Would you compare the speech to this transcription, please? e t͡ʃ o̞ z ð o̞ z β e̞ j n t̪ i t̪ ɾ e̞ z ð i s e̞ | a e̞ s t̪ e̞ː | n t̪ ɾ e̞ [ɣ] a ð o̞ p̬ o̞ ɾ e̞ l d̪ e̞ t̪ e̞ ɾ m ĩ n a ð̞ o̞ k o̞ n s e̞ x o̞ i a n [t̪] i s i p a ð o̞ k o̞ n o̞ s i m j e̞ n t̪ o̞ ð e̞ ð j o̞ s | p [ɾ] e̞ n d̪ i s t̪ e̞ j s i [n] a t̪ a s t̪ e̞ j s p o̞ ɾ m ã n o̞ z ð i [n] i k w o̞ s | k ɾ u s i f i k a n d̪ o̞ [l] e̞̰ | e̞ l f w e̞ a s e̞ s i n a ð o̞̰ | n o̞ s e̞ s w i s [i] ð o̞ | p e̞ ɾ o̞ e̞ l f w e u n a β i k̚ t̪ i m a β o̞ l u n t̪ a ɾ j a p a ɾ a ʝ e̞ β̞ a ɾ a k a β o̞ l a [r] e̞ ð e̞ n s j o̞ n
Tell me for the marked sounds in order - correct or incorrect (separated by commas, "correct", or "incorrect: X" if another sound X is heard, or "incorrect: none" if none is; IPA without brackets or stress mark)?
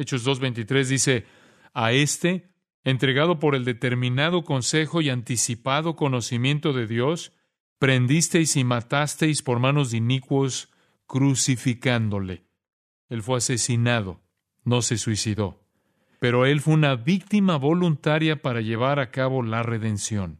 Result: correct, correct, correct, incorrect: m, correct, correct, correct, correct